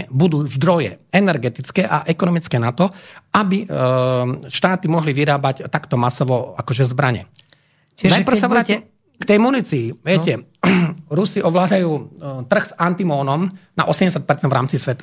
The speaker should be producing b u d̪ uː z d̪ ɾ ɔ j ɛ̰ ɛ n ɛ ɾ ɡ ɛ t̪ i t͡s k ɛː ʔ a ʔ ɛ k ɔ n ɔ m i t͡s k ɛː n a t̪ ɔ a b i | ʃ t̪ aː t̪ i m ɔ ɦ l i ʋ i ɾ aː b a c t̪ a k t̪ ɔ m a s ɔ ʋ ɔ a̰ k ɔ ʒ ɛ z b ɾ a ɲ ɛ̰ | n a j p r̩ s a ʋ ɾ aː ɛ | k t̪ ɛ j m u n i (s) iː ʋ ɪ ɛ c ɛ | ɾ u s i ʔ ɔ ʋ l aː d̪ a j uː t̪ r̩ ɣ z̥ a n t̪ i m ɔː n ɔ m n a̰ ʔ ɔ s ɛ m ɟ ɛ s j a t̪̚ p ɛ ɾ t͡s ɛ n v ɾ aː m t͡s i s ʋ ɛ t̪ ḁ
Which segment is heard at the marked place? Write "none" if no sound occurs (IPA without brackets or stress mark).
t͡s